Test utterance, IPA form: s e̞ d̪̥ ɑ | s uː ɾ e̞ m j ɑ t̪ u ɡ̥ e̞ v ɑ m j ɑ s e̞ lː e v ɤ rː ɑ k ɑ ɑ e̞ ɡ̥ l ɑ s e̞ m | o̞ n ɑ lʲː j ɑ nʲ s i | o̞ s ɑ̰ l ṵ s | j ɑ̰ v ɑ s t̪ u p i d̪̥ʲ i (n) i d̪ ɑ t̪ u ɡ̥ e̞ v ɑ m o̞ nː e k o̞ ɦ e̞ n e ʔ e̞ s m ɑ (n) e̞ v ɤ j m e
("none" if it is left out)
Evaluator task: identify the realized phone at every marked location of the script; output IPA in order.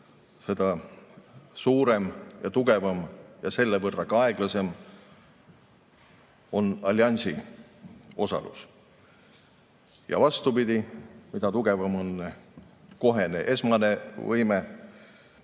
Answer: m, n

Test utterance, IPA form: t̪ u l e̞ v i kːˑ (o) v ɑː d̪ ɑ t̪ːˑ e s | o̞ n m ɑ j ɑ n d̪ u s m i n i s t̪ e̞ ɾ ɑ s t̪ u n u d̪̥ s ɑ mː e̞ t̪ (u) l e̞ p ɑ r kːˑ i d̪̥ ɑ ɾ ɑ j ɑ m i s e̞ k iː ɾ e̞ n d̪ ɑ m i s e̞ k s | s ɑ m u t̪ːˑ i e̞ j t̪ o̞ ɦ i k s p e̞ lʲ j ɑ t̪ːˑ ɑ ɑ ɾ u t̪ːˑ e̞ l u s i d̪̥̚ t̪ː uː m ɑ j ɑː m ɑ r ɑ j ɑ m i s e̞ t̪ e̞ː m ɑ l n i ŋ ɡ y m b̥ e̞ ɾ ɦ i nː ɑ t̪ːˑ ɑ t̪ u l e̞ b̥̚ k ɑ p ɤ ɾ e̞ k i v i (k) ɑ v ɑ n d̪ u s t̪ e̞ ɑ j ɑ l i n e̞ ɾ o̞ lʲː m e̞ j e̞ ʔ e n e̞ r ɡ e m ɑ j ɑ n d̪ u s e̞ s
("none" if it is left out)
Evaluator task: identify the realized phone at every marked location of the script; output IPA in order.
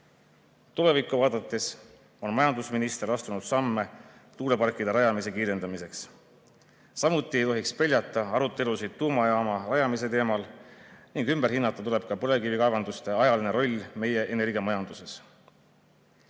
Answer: u, uː, k

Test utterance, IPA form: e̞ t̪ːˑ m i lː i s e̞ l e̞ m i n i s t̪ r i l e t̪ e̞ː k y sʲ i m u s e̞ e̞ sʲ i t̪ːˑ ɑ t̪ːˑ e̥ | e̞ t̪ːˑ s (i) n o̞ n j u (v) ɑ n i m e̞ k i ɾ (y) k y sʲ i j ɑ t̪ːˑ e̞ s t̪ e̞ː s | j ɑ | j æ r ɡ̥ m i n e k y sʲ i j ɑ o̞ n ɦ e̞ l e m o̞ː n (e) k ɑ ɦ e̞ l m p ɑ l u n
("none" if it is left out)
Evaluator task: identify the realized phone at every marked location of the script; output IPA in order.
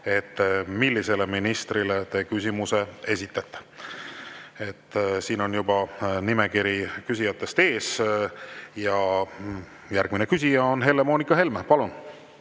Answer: iː, b, i, i

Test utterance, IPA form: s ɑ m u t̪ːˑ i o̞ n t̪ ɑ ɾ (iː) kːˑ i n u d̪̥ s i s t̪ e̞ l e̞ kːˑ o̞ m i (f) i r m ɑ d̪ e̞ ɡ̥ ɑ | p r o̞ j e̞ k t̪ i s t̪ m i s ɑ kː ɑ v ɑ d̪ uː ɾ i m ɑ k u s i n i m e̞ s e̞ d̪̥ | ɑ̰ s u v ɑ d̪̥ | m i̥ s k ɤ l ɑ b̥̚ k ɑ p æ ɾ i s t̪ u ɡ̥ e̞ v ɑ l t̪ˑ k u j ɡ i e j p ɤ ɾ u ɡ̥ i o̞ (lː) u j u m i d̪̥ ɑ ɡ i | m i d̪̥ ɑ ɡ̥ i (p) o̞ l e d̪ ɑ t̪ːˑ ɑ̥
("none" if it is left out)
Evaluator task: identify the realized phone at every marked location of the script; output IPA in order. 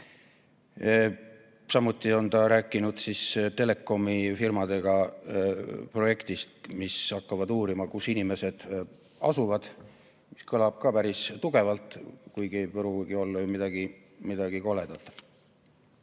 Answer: æː, f, lː, k

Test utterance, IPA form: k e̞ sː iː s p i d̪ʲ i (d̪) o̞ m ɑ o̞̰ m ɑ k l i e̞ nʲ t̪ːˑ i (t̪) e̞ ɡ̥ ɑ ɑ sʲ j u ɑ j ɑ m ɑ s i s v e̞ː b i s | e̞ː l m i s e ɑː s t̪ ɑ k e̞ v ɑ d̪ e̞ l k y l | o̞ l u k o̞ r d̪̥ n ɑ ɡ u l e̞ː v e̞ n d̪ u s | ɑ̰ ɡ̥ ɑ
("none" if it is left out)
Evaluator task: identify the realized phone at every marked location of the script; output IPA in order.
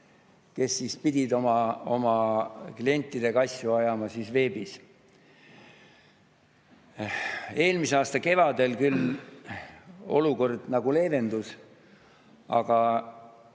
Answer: d̪, d̪

